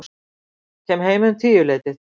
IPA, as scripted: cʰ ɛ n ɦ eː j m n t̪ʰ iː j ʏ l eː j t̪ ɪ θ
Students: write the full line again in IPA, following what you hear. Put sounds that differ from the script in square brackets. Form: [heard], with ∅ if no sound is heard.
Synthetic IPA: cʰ ɛ [m] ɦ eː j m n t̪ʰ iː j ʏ l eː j t̪ ɪ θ